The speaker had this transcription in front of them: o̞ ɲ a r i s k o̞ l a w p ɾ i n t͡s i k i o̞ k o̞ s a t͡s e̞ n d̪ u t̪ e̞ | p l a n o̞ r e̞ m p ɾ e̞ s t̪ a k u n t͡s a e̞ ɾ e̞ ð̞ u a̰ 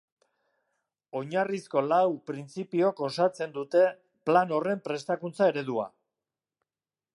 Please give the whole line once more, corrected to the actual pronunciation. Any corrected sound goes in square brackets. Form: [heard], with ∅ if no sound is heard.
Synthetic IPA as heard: o̞ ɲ a r i s k o̞ l a w p ɾ i n t͡s i [p] i o̞ k o̞ s a t͡s e̞ n d̪ u t̪ e̞ | p l a n o̞ r e̞ m p ɾ e̞ s t̪ a k u n t͡s a e̞ ɾ e̞ ð̞ u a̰